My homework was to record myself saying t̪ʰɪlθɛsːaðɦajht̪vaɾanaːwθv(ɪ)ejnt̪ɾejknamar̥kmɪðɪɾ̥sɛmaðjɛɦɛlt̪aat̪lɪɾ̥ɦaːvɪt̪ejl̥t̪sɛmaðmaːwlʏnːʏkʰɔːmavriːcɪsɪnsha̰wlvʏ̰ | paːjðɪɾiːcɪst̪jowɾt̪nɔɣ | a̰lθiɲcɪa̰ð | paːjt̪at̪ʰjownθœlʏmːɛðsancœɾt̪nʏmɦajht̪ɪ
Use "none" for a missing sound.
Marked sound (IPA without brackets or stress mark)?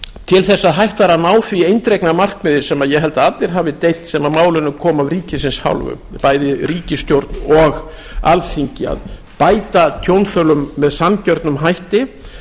i